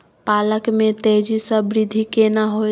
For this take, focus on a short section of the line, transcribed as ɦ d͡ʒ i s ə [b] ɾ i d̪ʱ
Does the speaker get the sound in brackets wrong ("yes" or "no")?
no